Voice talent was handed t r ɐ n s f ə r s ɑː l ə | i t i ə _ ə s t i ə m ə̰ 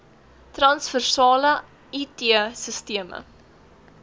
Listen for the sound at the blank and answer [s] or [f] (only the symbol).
s